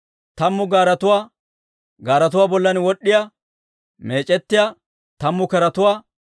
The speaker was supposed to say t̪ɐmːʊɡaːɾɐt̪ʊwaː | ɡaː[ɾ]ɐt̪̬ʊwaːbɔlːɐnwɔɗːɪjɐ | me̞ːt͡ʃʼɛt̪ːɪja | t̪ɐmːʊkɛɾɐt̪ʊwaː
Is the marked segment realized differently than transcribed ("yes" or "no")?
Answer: no